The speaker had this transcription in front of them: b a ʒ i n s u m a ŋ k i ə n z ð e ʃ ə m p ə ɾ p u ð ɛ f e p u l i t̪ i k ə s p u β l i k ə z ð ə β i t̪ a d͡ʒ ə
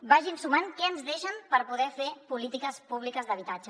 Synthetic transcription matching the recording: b a ʒ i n s u m a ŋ k ɛ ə n z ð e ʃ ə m p ə ɾ p u ð ɛ f e p u l i t̪ i k ə s p u β l i k ə z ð ə β i t̪ a d͡ʒ ə